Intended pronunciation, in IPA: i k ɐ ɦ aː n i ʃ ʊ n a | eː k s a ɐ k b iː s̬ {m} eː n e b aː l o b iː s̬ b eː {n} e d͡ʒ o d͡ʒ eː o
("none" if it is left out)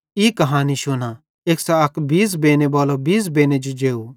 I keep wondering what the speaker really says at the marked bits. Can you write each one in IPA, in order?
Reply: b, n

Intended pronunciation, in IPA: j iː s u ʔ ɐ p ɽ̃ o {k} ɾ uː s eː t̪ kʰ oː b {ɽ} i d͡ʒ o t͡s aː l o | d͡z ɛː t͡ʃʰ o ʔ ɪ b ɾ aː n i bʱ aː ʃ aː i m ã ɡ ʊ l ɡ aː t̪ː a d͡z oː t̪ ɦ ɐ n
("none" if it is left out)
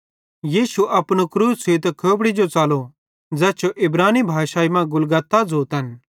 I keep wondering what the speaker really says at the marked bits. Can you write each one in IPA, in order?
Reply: k, ɽ

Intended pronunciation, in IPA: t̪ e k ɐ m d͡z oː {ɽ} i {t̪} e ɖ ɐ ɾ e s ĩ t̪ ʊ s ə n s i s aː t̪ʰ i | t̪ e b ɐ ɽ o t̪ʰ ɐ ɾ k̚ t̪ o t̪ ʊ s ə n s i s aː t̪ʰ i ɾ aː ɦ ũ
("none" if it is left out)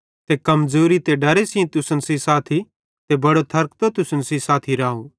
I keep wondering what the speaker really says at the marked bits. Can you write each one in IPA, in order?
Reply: ɾ, t̪

